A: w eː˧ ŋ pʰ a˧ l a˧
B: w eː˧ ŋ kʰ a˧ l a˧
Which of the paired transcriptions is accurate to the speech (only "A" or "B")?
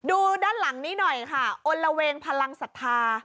A